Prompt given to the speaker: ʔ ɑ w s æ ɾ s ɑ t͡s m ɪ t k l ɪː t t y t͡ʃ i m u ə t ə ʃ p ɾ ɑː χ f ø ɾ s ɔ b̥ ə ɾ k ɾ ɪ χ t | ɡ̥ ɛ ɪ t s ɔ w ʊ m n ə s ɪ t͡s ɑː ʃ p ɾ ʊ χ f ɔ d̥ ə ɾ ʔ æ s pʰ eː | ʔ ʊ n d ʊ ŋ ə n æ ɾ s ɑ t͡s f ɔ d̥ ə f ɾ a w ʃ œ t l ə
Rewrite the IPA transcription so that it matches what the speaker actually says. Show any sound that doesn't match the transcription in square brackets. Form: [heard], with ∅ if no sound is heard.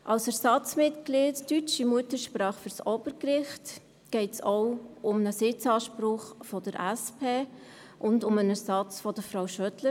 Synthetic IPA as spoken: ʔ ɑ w s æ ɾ s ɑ t͡s m ɪ t k l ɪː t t y t͡ʃ i m u ə t ə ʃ p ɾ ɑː χ f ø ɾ s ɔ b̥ ə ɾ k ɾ ɪ χ t | ɡ̥ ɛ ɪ t s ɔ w ʊ m n ə s ɪ t͡s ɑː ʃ p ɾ ʊ χ f ɔ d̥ ə ɾ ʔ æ s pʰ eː | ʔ ʊ n d ʊ [m] ə n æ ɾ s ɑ t͡s f ɔ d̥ ə f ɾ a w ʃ œ t l ə